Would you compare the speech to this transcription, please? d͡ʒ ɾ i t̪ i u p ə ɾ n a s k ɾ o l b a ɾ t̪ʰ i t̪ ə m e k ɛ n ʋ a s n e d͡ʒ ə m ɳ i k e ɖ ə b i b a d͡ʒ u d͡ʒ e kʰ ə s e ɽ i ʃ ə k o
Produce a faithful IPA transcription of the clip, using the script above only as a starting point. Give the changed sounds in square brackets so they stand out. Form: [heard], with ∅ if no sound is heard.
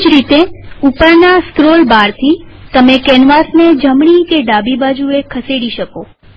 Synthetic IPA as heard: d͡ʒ ɾ i t̪ [e] u p ə ɾ n a s k ɾ o l b a ɾ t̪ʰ i t̪ ə m e k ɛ n ʋ a s n e d͡ʒ ə m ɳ i k e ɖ [a] b i b a d͡ʒ u [∅] e kʰ ə s e ɽ i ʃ ə k o